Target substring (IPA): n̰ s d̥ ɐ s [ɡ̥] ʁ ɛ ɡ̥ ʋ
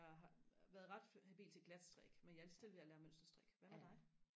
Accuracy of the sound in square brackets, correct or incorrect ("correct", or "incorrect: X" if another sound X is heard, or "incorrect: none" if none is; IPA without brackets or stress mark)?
incorrect: d̥